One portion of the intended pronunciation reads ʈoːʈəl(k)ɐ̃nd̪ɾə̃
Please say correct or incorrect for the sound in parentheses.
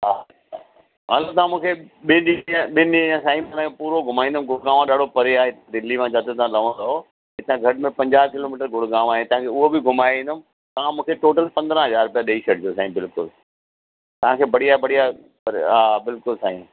incorrect